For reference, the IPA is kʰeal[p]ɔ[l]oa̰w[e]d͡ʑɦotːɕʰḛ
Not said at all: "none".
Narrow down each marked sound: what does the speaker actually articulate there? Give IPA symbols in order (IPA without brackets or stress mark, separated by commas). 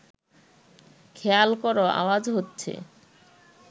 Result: k, ɾ, a